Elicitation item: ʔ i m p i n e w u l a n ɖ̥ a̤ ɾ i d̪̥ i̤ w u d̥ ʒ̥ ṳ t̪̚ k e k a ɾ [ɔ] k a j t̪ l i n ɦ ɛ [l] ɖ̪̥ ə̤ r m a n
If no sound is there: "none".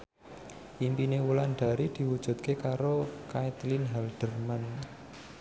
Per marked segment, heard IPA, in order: o, l

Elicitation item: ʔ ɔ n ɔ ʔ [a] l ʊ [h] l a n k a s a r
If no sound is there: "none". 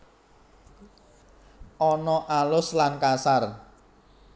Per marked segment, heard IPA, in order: a, s

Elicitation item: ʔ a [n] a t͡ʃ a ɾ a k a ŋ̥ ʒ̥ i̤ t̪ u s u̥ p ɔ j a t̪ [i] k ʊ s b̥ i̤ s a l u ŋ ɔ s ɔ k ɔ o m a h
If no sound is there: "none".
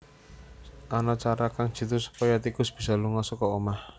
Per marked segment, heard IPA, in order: n, i

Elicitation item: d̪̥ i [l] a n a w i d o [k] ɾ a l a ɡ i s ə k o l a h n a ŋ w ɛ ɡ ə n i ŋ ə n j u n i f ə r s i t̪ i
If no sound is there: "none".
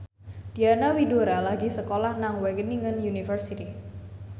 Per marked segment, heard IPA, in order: none, none

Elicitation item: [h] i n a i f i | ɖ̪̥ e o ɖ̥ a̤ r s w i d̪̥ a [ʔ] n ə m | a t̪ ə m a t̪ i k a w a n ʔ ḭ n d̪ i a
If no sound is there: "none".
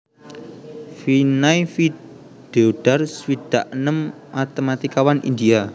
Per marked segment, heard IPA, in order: f, ʔ

